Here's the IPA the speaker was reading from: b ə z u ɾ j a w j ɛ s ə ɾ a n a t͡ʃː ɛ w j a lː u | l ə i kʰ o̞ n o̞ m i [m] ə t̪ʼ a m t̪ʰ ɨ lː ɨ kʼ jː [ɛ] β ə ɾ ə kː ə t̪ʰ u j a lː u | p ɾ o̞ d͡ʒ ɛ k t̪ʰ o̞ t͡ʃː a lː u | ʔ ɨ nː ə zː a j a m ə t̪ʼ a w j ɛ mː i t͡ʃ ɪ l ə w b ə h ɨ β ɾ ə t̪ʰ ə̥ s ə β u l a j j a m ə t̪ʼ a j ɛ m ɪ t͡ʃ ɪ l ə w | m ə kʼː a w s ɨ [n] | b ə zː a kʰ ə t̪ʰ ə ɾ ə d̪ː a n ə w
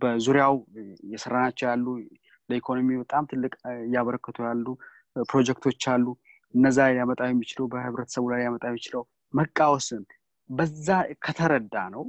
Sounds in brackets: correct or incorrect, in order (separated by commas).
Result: incorrect, incorrect, correct